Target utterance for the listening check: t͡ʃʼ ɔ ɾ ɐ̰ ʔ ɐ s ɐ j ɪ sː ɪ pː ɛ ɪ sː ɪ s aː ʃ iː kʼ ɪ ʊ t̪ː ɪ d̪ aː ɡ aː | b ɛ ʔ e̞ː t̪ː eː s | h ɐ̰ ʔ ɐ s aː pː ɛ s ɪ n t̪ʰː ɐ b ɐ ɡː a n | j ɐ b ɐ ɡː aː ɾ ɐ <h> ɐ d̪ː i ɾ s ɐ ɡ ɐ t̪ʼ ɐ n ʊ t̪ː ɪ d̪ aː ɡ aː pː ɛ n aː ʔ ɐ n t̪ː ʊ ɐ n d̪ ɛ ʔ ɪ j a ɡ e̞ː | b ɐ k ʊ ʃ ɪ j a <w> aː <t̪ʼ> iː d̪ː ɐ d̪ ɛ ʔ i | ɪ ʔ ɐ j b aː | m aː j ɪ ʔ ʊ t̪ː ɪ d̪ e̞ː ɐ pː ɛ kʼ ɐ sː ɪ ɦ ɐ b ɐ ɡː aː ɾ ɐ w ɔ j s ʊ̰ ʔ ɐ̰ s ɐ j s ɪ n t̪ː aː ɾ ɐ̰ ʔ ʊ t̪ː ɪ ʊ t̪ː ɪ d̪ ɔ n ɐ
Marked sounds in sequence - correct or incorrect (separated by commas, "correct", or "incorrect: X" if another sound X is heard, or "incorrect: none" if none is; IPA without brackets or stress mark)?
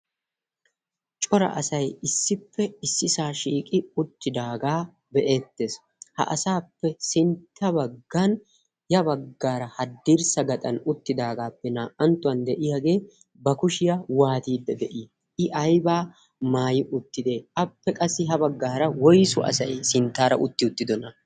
correct, correct, incorrect: t̪